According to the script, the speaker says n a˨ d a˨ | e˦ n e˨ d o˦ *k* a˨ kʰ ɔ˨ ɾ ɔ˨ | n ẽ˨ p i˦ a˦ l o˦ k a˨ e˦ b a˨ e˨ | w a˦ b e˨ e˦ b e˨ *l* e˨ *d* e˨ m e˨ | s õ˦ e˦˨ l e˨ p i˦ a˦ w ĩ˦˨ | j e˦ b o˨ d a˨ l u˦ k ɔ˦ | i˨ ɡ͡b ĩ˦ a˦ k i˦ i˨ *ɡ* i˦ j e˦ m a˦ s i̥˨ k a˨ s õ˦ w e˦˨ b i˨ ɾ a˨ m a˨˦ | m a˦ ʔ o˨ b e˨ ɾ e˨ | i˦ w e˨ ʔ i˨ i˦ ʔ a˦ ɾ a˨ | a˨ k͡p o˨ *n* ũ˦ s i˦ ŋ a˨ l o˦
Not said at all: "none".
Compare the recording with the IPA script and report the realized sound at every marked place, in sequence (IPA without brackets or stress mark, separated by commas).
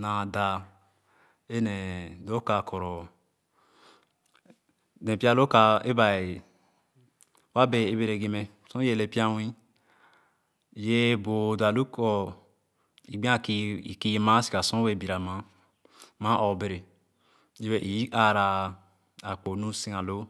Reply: k, ɾ, ɡ, k, n